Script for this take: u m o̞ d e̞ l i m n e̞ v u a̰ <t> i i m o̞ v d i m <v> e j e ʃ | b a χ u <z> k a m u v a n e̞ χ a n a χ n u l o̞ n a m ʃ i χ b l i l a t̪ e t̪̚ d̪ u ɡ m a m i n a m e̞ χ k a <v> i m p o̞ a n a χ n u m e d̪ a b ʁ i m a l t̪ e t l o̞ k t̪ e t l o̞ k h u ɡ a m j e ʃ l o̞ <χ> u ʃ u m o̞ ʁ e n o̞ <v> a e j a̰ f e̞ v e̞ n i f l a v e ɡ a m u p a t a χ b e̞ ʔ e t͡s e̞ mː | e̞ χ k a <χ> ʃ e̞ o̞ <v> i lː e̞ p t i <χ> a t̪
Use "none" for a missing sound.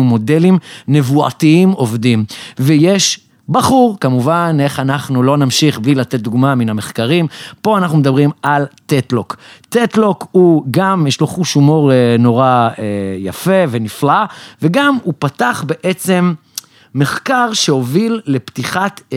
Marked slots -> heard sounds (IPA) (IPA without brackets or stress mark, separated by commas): t, v, ʁ, ʁ, χ, ʁ, ʁ, v, χ